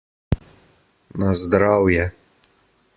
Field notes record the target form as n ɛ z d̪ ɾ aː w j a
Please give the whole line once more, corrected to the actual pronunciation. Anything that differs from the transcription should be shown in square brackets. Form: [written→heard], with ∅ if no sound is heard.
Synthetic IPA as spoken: n [ɛ→a] z d̪ ɾ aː w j [a→ɛ]